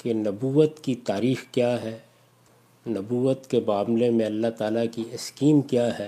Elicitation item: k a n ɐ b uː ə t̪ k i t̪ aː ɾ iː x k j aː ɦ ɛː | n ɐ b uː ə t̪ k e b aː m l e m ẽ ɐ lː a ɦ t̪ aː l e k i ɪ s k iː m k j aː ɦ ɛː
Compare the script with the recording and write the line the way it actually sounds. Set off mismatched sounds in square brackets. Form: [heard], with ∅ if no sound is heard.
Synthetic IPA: k [e] n ɐ b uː ə t̪ k i t̪ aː ɾ iː x k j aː ɦ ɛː | n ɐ b uː ə t̪ k e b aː m l e m ẽ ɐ lː a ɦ t̪ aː l [a] k i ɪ s k iː m k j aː ɦ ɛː